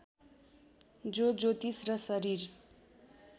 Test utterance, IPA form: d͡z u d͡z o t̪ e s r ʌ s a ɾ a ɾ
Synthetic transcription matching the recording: d͡z o d͡z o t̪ i s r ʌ s ʌ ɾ i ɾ